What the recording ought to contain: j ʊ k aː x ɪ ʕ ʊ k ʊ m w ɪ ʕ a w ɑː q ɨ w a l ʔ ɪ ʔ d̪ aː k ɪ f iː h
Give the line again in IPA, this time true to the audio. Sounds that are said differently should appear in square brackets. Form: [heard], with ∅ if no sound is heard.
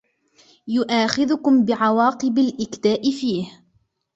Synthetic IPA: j ʊ [ʔ] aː x ɪ [ð] ʊ k ʊ m [b] ɪ ʕ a w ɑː q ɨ [b] a l ʔ ɪ [k] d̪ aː [ʔ] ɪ f iː h